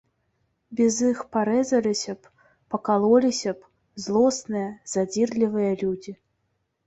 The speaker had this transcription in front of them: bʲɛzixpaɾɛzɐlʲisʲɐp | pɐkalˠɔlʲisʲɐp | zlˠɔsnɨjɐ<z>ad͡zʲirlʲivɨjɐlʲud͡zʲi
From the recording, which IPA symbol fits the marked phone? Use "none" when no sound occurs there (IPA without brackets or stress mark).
z